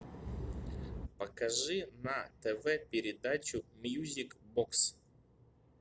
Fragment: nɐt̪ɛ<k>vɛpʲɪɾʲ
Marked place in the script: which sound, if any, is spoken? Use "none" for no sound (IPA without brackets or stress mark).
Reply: none